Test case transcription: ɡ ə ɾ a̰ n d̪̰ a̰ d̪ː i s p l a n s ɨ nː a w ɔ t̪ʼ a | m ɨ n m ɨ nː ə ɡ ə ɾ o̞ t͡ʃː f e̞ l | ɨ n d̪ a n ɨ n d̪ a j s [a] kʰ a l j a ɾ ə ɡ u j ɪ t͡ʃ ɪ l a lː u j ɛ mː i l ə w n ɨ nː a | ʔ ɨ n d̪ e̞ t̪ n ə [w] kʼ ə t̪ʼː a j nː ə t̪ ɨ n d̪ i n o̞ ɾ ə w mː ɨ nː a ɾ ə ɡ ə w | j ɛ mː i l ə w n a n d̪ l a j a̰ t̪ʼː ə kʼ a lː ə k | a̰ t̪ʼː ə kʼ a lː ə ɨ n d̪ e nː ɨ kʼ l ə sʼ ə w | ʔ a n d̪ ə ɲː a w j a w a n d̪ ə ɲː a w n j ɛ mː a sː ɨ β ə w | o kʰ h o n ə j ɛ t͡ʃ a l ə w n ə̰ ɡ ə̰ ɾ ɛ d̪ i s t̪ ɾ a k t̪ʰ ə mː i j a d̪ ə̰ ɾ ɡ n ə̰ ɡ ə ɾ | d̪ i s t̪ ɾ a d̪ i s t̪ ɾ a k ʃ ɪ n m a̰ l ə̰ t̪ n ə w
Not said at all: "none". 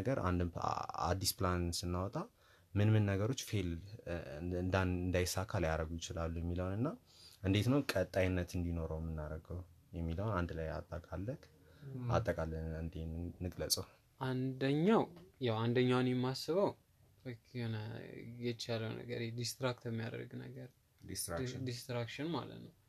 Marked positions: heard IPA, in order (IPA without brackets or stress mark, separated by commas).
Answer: a, w